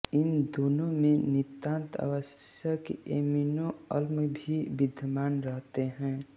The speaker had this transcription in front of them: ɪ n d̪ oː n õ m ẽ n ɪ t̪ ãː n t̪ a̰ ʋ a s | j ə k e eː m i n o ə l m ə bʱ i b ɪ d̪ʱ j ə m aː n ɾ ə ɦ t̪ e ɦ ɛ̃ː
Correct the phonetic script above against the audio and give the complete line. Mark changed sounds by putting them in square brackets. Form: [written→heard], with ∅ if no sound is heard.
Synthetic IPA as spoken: ɪ n d̪ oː n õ m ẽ n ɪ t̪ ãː n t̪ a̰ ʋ [a→ə] s | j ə k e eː m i n o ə l m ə bʱ i b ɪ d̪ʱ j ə m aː n ɾ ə ɦ t̪ e ɦ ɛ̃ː